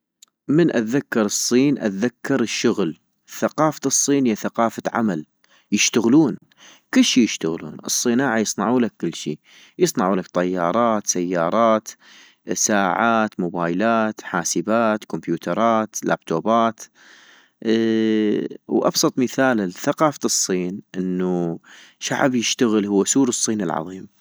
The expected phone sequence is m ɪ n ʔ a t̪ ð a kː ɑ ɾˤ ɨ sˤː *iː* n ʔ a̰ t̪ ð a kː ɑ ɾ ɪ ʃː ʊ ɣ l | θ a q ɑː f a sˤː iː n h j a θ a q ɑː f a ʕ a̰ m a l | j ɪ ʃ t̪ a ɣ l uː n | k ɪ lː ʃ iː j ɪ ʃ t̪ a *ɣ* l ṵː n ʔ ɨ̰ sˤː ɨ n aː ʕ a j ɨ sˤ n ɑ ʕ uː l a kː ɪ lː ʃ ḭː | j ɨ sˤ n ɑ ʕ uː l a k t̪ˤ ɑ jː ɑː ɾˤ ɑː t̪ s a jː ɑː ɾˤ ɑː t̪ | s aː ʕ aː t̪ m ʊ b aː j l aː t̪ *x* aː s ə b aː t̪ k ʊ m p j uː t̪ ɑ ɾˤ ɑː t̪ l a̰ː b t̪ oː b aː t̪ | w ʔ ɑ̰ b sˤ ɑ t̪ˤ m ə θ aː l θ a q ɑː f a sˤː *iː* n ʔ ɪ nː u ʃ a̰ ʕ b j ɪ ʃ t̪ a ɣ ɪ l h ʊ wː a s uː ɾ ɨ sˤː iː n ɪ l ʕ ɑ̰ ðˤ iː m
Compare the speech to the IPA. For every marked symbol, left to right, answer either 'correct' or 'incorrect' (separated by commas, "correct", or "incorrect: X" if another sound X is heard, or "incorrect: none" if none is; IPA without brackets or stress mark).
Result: correct, correct, incorrect: ħ, correct